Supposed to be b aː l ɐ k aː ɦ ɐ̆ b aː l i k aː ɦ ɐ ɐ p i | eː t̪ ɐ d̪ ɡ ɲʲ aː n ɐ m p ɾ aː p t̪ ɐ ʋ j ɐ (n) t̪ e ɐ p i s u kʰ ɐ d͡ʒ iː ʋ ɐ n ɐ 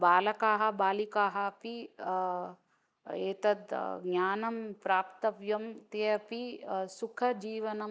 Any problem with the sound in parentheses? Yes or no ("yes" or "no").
yes